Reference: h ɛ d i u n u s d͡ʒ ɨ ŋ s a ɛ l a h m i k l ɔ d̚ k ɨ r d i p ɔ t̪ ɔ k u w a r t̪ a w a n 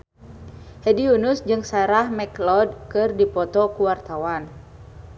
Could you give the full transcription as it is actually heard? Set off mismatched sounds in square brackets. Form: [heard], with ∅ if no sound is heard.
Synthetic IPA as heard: h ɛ d i u n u s d͡ʒ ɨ ŋ s a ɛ [ɾ] a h m [ɛ] k l ɔ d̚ k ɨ r d i p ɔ t̪ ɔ k u w a r t̪ a w a n